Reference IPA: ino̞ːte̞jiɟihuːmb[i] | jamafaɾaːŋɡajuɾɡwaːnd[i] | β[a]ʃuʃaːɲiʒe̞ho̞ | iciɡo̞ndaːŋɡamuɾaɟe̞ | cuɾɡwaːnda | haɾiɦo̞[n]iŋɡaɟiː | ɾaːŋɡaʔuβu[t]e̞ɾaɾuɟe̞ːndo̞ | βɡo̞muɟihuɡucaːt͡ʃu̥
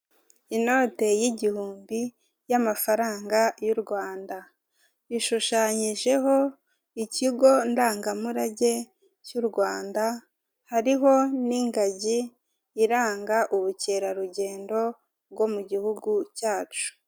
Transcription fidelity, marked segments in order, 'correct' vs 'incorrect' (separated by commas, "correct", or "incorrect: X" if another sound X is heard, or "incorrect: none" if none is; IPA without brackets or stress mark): correct, incorrect: a, incorrect: i, correct, incorrect: c